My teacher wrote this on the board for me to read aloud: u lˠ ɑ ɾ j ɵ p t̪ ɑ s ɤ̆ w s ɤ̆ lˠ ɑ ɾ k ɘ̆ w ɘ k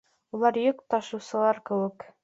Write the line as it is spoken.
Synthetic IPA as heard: u lˠ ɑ ɾ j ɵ k t̪ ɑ ʃ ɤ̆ w s ɤ̆ lˠ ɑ ɾ k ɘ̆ w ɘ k